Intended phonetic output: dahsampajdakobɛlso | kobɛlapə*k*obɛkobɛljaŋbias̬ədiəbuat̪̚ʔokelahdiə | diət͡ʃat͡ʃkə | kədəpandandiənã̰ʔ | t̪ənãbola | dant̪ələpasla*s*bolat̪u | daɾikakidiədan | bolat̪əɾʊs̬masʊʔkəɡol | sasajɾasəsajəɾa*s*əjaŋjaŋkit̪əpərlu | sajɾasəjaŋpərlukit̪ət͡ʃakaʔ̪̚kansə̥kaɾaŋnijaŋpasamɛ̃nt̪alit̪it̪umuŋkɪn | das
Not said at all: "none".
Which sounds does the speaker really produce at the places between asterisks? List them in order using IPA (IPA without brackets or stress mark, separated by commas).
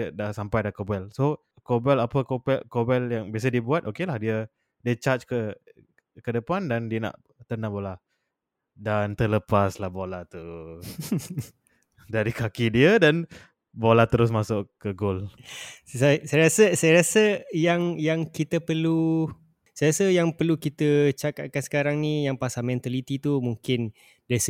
k, h, s